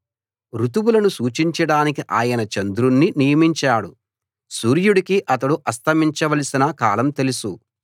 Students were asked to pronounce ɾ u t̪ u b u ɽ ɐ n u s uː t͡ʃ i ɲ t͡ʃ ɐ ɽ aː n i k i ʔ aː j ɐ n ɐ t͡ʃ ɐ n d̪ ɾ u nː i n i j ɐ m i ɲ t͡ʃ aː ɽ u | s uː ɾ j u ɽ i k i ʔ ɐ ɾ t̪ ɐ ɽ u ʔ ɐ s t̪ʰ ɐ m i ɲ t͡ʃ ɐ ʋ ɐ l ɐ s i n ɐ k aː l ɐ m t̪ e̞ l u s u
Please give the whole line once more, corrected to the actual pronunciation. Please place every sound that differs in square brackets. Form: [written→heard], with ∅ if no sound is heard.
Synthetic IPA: ɾ u t̪ u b u [ɽ→l] ɐ n u s uː t͡ʃ i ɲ t͡ʃ ɐ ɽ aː n i k i ʔ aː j ɐ n ɐ t͡ʃ ɐ n d̪ ɾ u nː i n i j ɐ m i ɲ t͡ʃ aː ɽ u | s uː ɾ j u ɽ i k i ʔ ɐ [ɾ→∅] t̪ ɐ ɽ u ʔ ɐ s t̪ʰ ɐ m i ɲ t͡ʃ ɐ ʋ ɐ l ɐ s i n ɐ k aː l ɐ m t̪ e̞ l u s u